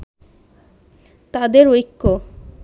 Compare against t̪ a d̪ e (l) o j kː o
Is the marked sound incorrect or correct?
incorrect